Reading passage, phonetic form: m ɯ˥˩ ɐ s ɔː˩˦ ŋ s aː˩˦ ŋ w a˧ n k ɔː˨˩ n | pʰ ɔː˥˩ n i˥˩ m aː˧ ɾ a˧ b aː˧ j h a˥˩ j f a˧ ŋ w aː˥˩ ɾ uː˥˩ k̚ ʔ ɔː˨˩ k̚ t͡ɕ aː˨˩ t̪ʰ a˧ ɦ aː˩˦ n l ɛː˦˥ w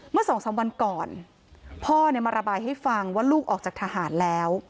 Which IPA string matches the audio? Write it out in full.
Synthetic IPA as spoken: m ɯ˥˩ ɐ s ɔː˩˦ ŋ s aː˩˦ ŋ w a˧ n k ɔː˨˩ n | pʰ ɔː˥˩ n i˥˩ m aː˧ ɾ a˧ b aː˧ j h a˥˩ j f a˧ ŋ w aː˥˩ l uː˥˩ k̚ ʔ ɔː˨˩ k̚ t͡ɕ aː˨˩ t̪ʰ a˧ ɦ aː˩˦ n l ɛː˦˥ w